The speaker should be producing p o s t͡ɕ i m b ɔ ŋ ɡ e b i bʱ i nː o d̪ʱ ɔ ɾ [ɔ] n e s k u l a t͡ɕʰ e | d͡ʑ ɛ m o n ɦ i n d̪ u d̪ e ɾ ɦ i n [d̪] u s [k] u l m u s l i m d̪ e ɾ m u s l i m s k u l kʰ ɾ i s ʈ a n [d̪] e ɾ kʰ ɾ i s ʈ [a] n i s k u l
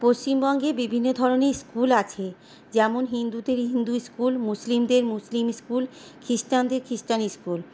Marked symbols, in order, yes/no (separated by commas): no, yes, yes, yes, yes